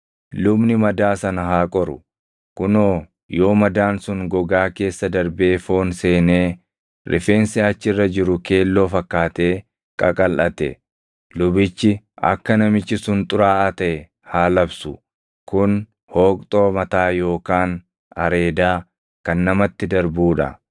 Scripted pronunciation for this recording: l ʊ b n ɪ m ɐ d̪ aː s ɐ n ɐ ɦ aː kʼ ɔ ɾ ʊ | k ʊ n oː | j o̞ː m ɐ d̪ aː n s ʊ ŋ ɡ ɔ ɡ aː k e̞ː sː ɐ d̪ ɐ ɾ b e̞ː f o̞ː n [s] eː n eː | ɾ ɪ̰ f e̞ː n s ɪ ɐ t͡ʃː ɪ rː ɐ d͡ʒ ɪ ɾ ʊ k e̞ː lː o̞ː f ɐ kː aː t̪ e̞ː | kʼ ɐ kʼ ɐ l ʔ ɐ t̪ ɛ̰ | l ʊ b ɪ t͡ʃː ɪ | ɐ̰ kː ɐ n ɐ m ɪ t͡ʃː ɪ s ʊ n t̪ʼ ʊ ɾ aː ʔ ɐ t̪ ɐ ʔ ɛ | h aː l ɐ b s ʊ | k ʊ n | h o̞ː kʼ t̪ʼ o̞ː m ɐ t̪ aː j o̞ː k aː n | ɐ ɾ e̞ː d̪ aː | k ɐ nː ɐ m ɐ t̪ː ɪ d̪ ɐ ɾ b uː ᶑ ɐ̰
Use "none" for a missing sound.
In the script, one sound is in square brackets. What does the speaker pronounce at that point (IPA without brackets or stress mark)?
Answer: s